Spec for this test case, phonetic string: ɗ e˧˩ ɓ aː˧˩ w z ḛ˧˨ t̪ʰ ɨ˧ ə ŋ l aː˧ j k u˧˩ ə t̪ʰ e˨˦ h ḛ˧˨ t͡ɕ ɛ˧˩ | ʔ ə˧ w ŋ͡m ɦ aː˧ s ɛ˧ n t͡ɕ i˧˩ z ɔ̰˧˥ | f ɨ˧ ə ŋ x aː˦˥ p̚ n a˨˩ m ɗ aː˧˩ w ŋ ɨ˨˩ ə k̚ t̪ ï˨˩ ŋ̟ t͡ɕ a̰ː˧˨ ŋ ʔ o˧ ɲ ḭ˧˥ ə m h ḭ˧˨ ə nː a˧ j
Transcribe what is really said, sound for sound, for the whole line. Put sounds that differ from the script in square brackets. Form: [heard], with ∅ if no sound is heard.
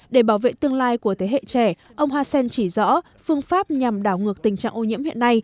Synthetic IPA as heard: ɗ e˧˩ ɓ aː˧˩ w [v] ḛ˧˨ [t̪] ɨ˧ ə ŋ l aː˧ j k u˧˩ ə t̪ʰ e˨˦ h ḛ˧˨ t͡ɕ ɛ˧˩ | ʔ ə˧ w ŋ͡m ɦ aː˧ s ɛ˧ n t͡ɕ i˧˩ z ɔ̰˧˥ | f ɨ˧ ə ŋ [f] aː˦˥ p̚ [ɲ] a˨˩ m ɗ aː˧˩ w ŋ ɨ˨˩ ə k̚ t̪ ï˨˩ ŋ̟ t͡ɕ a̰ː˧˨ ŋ ʔ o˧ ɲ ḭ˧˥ ə m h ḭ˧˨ ə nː a˧ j